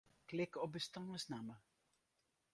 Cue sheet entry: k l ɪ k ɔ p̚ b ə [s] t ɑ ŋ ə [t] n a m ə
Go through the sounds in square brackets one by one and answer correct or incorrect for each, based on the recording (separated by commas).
correct, incorrect